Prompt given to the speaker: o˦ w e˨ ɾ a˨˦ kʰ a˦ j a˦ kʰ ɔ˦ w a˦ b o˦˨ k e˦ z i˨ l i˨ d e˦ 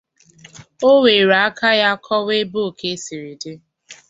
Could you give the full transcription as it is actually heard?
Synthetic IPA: o˦ w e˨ ɾ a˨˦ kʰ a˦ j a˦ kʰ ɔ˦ w e˦ b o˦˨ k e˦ s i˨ ɾ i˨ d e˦